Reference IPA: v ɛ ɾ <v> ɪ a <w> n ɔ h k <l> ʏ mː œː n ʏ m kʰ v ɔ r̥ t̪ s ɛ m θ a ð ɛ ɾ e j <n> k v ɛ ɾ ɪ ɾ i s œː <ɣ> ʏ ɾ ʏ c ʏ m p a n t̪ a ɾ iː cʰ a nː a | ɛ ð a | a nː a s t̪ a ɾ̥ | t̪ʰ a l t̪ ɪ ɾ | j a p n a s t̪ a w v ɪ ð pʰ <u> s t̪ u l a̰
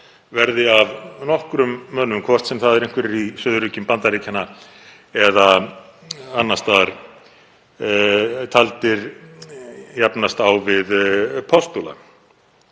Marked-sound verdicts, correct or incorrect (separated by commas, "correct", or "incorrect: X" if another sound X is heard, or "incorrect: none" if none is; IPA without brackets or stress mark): incorrect: ð, incorrect: v, incorrect: ɾ, incorrect: ŋ, incorrect: ð, incorrect: ɔ